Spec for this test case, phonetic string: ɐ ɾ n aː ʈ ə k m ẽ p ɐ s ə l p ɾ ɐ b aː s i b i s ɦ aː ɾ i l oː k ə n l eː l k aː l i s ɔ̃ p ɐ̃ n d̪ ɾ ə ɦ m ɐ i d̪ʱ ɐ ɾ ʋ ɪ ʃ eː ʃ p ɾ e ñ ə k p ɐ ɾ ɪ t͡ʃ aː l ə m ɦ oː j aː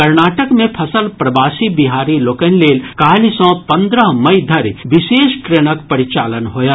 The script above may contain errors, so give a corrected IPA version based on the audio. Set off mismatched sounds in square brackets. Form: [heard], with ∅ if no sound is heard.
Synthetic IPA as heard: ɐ ɾ n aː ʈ ə k m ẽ [pʰ] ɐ s ə l p ɾ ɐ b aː s i b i [∅] ɦ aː ɾ i l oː k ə n l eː l k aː l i s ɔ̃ p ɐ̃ n d̪ ɾ ə ɦ m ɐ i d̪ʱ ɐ ɾ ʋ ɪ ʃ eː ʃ [k] ɾ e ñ ə k p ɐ ɾ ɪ t͡ʃ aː l ə [n] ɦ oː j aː